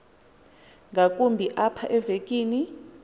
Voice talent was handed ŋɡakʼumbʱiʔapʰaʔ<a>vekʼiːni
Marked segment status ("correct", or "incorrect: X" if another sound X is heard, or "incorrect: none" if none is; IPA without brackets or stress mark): incorrect: ɛ